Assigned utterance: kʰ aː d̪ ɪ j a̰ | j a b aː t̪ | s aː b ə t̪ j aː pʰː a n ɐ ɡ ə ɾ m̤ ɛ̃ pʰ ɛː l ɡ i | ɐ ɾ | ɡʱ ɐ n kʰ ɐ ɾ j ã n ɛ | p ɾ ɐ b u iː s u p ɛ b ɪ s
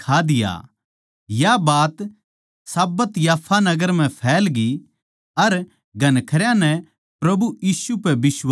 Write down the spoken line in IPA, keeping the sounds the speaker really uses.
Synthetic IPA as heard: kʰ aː d̪ ɪ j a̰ | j a b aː t̪ | s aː b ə t̪ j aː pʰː a n ɐ ɡ ə ɾ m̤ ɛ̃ pʰ ɛː l ɡ i | ɐ ɾ | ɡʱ ɐ n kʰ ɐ ɾ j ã n ɛ | p ɾ ɐ b u iː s u p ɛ b ɪ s